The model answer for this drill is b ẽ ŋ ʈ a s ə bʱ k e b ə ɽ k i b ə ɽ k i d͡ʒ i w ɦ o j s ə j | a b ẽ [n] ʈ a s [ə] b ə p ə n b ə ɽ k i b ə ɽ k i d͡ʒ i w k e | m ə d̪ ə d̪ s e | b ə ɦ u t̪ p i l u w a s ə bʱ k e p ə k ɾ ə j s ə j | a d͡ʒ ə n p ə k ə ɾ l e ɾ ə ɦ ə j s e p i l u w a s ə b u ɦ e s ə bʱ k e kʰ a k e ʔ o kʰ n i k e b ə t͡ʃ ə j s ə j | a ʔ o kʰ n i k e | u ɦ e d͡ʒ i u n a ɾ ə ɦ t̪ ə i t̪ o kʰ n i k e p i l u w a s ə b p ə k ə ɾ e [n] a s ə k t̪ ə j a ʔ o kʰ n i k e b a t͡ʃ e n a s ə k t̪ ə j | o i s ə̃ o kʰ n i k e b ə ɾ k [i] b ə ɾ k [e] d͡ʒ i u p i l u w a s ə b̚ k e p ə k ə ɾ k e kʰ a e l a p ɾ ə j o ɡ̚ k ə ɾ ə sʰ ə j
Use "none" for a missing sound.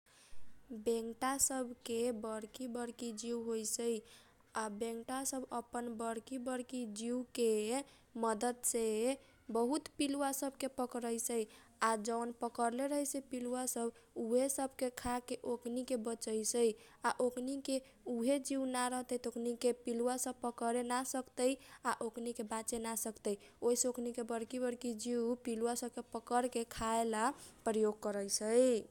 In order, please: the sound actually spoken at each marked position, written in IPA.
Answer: ŋ, ə, n, i, i

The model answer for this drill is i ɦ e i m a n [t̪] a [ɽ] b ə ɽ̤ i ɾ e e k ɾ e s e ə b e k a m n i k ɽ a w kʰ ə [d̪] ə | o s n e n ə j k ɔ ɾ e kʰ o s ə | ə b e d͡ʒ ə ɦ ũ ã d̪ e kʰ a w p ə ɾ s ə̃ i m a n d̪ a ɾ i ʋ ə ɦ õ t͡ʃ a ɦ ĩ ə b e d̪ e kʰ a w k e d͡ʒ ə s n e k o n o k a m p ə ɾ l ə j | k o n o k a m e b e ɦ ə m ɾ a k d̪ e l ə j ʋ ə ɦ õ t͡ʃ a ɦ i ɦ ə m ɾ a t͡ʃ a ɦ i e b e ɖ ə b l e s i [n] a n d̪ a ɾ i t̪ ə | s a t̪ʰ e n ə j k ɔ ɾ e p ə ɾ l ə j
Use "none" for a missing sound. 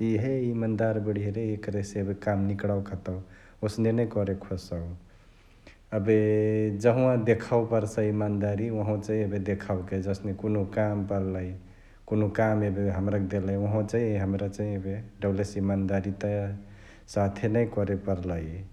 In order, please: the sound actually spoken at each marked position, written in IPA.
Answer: d̪, ɾ, t̪, m

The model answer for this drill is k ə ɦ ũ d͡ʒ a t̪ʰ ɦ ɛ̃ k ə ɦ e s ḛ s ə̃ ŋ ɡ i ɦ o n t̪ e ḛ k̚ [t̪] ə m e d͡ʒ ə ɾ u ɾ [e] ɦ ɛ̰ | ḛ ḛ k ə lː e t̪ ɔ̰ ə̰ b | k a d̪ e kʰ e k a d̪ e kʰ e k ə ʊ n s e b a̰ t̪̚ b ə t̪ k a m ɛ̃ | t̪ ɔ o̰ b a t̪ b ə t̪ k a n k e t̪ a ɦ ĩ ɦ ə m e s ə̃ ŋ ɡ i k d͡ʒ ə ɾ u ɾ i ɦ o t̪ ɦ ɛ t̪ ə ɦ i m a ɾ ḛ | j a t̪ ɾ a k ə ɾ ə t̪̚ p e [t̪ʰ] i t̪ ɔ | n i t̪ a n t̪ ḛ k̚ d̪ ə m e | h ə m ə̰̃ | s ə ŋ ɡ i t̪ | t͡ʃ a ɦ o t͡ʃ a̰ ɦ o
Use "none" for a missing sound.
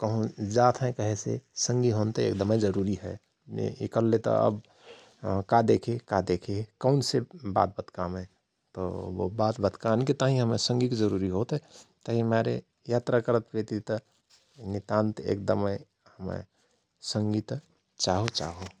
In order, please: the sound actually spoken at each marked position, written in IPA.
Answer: d̪, i, t̪

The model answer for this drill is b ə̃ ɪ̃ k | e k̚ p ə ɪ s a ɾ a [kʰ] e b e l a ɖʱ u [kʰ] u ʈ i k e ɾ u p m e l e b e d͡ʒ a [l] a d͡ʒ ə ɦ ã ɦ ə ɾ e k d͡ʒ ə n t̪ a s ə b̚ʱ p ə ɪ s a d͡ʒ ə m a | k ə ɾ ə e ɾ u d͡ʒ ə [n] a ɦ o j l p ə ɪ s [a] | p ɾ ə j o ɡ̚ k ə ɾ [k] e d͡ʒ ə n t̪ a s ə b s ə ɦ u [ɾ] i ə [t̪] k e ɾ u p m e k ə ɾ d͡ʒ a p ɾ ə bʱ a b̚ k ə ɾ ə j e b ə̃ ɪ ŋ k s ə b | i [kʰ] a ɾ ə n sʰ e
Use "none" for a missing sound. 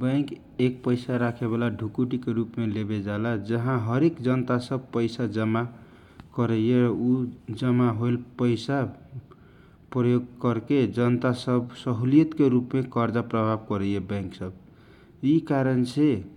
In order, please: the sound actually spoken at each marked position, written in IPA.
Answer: kʰ, k, l, m, a, k, l, t̪, k

